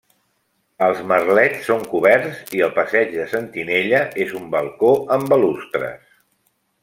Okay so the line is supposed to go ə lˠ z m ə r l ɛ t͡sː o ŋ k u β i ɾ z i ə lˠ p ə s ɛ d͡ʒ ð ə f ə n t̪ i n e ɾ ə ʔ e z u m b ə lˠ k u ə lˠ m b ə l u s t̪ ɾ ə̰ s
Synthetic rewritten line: ə lˠ z m ə r l ɛ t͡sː o ŋ k u β ɛ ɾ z i ə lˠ p ə s ɛ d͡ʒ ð ə s ə n t̪ i n e ʎ ə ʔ e z u m b ə lˠ k o ə m b ə l u s t̪ ɾ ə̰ s